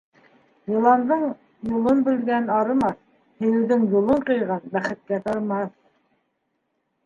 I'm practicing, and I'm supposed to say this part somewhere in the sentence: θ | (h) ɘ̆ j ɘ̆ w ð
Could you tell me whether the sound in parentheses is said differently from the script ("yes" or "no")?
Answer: no